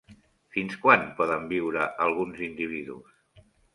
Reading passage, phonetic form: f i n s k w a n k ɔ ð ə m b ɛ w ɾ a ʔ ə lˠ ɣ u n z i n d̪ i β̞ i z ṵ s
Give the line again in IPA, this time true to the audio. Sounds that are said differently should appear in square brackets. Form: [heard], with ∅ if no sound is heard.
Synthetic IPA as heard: f i n s k w a n [p] ɔ ð ə m b [i] w ɾ [ə] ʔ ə lˠ ɣ u n z i n d̪ i β̞ i [ð] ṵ s